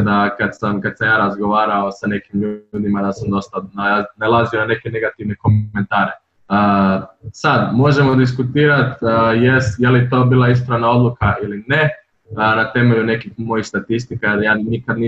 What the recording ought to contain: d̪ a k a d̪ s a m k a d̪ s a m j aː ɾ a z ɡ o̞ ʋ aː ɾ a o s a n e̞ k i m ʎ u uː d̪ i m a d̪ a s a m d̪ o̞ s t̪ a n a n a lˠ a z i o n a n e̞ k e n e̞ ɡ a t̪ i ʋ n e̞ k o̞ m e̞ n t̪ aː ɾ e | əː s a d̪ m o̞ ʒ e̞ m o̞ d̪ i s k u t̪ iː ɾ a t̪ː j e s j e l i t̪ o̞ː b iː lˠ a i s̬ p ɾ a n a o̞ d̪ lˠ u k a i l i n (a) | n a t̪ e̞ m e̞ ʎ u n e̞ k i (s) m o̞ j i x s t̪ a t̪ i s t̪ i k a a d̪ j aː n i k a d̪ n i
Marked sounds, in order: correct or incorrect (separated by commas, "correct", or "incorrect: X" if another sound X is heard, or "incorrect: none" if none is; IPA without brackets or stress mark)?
incorrect: e, incorrect: x